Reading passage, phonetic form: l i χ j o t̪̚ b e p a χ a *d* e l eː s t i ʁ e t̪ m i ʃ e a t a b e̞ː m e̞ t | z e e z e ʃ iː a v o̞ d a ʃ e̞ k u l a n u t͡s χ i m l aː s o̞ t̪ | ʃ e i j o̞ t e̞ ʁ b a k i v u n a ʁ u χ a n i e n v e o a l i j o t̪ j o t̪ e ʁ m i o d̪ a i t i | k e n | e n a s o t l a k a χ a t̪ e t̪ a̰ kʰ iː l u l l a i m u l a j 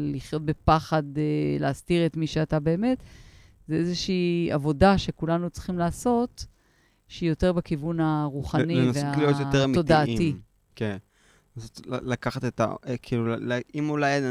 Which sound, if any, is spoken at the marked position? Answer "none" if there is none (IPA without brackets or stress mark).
d